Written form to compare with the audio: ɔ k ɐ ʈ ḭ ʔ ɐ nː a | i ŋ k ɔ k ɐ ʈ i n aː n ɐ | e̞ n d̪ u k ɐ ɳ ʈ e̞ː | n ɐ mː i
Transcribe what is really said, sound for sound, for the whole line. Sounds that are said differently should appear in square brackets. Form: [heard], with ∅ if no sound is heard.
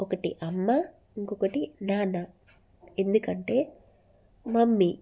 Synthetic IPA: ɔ k ɐ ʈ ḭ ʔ ɐ [mː] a | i ŋ k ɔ k ɐ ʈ i n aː n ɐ | e̞ n d̪ u k ɐ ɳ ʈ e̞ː | [m] ɐ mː i